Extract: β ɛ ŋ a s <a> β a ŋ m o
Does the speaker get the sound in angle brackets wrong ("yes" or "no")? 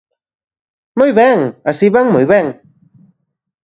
yes